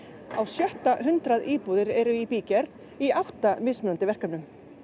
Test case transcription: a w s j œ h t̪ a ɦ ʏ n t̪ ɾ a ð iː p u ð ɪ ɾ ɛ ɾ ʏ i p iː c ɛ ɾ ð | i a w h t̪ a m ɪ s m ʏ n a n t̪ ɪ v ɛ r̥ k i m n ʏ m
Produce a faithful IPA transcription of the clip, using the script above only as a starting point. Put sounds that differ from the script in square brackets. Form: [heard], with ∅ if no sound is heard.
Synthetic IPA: a w s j œ h t̪ a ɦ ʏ n t̪ ɾ a ð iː p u ð ɪ ɾ ɛ ɾ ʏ i p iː c ɛ ɾ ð | i a w h t̪ a m ɪ s m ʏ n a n t̪ ɪ v ɛ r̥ k [a] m n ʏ m